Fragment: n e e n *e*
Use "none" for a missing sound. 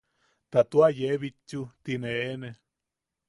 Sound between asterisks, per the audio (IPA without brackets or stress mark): e